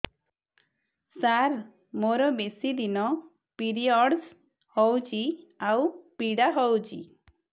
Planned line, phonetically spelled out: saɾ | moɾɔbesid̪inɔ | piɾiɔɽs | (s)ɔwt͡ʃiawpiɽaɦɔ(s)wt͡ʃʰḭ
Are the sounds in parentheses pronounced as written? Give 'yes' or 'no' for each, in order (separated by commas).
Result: no, no